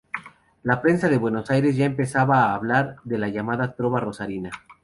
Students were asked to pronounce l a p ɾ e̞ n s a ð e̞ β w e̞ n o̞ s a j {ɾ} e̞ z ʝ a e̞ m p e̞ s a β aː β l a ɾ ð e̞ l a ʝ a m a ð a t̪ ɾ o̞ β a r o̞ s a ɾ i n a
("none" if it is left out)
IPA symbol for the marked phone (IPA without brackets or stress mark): ɾ